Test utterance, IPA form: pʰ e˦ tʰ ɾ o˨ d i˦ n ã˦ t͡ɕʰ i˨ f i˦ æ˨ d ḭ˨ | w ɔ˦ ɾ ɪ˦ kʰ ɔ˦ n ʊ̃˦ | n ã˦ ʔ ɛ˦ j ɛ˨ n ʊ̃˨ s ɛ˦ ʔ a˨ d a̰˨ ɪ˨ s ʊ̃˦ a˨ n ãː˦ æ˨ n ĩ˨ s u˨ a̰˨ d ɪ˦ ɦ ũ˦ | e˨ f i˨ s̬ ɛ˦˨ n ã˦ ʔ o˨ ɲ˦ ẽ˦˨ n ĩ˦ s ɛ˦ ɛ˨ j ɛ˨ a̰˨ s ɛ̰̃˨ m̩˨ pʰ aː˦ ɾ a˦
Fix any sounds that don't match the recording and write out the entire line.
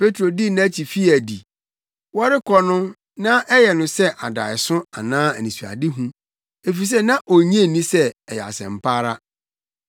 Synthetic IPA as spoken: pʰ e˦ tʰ ɾ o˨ d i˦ n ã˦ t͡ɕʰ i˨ f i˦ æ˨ d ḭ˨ | w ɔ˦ ɾ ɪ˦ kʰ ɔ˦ n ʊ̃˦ | n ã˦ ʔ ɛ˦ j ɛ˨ n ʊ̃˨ s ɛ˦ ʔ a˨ d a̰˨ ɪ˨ s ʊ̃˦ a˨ n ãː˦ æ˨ n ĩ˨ s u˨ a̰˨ d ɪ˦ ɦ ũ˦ | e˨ f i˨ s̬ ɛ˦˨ n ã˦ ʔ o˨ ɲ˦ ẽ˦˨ n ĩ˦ s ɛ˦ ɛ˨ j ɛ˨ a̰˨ s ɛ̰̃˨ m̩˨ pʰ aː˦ ɾ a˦